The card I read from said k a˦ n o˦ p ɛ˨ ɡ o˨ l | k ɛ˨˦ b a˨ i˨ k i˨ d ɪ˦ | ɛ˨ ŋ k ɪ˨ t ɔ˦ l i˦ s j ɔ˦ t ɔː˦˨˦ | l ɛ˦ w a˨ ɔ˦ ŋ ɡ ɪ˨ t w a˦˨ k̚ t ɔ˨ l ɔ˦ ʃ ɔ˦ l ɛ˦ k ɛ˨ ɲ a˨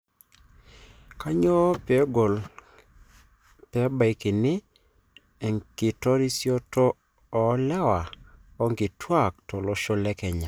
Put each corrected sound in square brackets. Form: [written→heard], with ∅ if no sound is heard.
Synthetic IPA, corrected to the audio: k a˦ [n→ɲ] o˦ p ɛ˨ ɡ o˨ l | [k→p] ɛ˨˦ b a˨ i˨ k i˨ [d→n] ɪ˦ | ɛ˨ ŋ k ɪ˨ t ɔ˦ [l→ɾ] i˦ s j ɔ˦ t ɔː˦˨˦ | l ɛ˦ w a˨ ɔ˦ ŋ ɡ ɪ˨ t w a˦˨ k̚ t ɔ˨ l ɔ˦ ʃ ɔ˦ l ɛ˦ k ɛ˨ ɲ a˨